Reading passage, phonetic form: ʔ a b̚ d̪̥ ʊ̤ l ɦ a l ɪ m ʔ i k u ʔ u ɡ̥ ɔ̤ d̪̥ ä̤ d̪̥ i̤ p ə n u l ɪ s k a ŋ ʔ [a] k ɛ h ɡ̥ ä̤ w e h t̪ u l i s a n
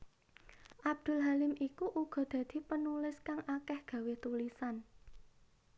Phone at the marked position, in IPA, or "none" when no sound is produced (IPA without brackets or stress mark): a